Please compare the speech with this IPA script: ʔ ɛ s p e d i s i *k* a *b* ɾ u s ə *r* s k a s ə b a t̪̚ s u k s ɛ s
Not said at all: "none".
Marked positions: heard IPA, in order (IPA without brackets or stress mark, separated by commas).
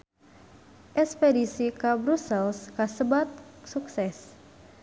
k, b, l